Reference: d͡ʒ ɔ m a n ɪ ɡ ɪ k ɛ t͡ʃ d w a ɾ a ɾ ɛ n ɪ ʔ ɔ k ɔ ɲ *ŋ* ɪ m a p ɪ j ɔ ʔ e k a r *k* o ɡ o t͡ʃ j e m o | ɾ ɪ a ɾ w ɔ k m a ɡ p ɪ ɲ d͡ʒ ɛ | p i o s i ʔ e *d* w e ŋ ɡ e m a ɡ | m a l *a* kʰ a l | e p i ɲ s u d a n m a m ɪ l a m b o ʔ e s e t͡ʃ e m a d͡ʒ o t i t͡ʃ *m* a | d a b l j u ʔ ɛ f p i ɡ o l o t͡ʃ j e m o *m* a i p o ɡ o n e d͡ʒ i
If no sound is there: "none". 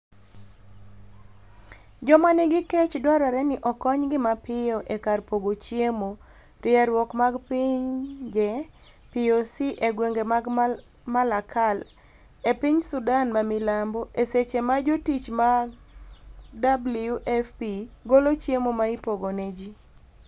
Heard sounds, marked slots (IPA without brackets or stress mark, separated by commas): ɡ, p, ɡ, a, m, m